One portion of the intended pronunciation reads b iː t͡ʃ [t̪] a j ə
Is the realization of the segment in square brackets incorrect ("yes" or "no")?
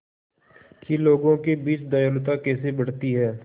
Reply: yes